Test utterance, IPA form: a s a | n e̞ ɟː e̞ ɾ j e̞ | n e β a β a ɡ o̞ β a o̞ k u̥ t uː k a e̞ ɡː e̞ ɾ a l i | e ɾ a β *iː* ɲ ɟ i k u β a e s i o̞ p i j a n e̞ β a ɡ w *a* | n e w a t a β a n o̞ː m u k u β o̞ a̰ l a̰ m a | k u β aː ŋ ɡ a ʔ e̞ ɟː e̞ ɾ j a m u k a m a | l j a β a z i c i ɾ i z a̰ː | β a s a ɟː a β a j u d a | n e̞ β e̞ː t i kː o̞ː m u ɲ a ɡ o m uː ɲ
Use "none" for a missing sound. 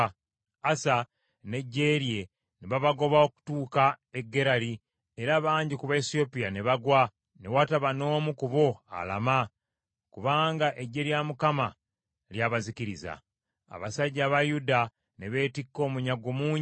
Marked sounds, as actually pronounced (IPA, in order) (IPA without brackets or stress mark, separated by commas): aː, a